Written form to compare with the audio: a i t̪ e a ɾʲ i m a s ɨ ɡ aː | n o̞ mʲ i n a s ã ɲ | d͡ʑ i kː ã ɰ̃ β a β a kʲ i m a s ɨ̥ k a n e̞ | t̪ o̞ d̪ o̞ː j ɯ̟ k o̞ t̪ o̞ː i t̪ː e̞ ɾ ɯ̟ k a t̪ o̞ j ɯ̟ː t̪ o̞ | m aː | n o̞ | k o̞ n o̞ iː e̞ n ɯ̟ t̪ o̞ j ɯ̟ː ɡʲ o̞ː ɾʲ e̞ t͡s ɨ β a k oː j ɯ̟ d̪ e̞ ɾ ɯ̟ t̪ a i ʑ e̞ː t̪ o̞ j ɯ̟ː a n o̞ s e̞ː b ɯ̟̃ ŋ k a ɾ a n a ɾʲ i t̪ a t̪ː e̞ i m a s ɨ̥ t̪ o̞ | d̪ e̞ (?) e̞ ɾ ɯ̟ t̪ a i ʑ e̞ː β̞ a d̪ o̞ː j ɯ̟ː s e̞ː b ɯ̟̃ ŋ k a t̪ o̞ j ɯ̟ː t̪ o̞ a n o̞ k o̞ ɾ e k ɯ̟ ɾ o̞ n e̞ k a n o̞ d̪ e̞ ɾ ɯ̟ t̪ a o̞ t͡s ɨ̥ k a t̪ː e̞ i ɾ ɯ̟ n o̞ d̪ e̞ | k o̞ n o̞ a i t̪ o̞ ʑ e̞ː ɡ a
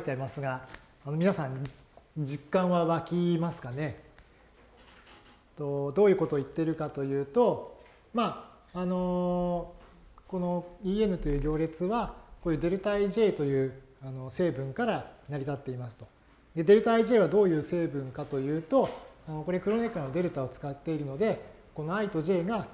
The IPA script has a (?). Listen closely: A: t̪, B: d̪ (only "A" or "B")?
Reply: B